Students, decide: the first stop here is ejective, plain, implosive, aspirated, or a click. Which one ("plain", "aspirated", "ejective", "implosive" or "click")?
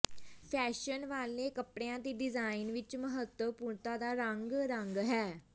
aspirated